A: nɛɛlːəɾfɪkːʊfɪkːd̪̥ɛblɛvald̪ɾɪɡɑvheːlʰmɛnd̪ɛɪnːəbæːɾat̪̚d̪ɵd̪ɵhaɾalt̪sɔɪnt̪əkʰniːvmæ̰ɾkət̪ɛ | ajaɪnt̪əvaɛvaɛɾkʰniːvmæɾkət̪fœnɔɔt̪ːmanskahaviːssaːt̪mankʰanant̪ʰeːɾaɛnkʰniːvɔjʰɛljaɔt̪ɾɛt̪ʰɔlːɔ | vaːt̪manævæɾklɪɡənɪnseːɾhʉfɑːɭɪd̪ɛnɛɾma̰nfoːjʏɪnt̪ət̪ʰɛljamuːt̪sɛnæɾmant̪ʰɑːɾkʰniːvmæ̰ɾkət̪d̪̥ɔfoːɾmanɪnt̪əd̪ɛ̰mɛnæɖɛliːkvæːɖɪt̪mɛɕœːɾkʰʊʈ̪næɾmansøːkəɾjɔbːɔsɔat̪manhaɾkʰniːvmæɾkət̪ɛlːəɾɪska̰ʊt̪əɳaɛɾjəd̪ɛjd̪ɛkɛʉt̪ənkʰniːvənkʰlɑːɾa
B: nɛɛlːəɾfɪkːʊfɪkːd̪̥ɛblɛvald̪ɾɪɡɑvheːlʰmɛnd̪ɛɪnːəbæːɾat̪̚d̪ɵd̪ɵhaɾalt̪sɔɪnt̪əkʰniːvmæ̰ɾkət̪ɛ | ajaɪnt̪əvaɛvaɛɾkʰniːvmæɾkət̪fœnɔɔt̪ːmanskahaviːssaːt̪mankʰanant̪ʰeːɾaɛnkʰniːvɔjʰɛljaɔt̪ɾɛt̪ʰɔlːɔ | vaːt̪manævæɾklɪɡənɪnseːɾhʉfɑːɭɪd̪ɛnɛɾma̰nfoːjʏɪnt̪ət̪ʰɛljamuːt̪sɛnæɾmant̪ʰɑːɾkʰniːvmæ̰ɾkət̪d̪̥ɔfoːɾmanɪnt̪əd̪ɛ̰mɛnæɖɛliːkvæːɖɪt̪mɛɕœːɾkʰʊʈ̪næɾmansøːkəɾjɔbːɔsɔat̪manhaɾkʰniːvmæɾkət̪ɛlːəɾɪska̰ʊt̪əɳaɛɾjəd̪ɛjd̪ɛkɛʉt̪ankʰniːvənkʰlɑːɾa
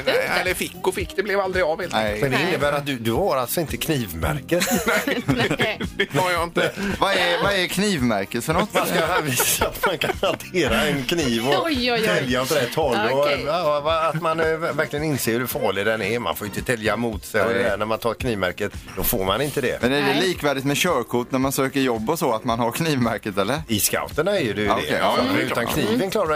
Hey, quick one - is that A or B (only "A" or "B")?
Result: B